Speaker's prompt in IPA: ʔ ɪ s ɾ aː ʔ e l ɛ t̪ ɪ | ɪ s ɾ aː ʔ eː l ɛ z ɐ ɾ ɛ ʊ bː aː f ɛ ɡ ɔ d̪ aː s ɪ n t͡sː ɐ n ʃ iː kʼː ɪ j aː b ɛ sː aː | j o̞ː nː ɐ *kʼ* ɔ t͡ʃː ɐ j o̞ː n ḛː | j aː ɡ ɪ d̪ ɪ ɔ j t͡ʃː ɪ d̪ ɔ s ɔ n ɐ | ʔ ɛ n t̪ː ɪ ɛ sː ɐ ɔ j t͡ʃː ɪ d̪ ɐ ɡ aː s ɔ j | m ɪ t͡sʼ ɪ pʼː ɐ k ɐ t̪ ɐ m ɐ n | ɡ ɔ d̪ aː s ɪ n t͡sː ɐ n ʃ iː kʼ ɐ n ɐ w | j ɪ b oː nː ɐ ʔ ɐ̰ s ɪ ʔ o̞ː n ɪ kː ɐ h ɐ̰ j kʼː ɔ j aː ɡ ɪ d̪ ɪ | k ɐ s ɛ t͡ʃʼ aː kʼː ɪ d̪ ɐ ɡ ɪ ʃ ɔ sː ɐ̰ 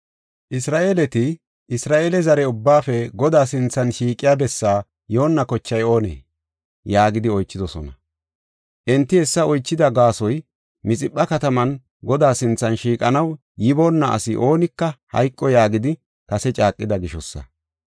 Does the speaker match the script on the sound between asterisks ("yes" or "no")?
no